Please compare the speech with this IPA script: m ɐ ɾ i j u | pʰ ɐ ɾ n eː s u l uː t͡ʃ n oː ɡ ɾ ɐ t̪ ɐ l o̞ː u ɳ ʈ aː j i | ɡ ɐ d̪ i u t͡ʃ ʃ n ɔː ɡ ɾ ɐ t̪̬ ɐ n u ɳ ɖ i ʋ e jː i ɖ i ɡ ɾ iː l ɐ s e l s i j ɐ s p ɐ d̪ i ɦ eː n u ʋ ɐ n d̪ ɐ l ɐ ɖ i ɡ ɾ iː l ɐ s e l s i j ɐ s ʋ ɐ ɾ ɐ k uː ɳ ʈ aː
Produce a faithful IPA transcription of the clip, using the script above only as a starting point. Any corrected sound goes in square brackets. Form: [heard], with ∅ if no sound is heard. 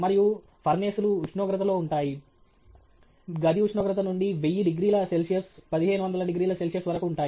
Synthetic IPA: m ɐ ɾ i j u | pʰ ɐ ɾ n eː s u l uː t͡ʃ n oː ɡ ɾ ɐ t̪ ɐ l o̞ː u ɳ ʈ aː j i | ɡ ɐ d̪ i u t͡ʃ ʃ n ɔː ɡ ɾ ɐ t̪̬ ɐ n u ɳ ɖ i ʋ e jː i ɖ i ɡ ɾ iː l ɐ s e l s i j ɐ s p ɐ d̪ i ɦ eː n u ʋ ɐ n d̪ ɐ l ɐ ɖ i ɡ ɾ iː l ɐ s e l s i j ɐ s ʋ ɐ ɾ ɐ k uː ɳ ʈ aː

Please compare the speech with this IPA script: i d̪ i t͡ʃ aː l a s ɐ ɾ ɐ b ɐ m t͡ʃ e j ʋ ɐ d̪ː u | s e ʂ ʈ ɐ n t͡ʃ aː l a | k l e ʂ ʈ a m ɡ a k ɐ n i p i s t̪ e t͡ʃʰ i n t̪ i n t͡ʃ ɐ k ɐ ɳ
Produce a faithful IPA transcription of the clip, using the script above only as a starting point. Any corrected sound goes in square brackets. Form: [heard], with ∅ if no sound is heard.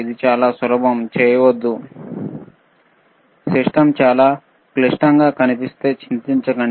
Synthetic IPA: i d̪ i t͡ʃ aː l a s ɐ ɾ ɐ b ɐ m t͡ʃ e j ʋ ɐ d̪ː u | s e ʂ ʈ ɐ [m] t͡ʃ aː l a | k l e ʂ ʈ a [ŋ] ɡ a k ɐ n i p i s t̪ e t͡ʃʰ i n t̪ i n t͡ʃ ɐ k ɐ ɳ

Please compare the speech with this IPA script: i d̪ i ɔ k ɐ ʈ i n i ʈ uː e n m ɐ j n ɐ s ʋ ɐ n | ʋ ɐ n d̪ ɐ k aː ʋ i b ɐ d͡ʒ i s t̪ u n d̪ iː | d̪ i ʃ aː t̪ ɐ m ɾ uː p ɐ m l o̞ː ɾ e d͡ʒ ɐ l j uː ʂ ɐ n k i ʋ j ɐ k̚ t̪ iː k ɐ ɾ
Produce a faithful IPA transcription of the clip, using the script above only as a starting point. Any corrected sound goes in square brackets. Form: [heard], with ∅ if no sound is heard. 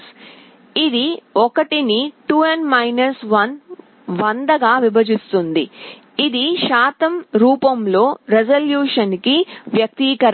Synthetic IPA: i d̪ i ɔ k ɐ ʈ i n i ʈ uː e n m ɐ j n ɐ s ʋ ɐ n | ʋ ɐ n d̪ ɐ [ɡ] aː ʋ i b ɐ d͡ʒ i s t̪ u n d̪ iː | d̪ i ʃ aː t̪ ɐ m ɾ uː p ɐ m l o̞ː ɾ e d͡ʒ ɐ l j uː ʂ ɐ n k i ʋ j ɐ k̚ t̪ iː k ɐ ɾ

